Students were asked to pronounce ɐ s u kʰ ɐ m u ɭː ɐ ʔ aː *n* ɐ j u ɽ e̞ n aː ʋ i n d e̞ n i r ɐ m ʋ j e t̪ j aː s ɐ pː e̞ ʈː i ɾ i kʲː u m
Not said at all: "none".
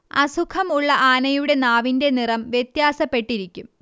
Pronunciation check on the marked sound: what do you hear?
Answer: n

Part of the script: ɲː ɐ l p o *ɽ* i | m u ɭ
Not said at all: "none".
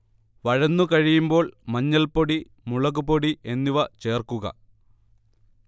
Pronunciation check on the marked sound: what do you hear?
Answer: ɽ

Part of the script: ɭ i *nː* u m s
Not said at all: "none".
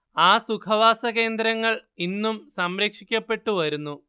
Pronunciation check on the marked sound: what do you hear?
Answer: nː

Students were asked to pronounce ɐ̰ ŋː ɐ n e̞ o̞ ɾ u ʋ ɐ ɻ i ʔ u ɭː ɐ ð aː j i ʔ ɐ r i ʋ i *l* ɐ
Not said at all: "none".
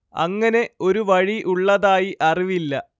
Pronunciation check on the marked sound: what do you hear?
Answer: lː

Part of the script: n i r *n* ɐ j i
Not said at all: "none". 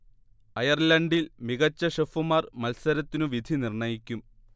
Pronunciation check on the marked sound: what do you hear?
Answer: ɳ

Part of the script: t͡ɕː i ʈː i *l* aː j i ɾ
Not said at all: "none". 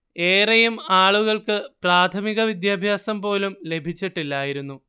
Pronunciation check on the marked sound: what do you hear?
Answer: lː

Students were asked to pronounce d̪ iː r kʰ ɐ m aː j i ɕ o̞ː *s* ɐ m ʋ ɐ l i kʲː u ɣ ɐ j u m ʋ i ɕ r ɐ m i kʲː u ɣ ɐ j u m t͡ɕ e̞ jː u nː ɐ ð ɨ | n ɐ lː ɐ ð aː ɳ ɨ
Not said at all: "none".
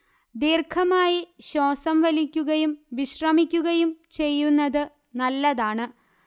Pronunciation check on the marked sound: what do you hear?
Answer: s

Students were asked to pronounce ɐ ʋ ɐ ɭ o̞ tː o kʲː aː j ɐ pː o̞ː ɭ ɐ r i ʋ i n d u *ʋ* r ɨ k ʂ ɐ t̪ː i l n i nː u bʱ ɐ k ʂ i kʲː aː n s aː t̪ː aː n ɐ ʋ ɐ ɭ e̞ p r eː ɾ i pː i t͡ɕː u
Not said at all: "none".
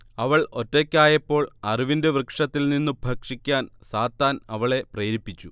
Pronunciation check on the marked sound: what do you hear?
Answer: ʋ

